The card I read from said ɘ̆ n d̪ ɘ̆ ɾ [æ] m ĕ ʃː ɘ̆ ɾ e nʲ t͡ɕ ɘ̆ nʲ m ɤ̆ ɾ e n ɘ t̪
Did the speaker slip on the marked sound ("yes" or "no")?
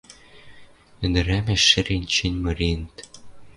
no